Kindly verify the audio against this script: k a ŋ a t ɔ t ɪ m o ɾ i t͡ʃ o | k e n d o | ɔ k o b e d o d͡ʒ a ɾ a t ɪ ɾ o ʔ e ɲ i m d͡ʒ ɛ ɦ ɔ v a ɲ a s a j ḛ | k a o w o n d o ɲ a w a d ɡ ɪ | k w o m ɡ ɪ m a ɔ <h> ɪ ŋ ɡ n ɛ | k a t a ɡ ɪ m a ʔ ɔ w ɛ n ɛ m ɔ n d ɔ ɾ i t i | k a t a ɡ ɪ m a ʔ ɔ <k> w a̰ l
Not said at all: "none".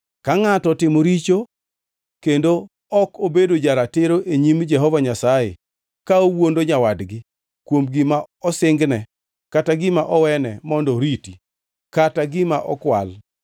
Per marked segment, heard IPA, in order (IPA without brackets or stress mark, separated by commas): s, k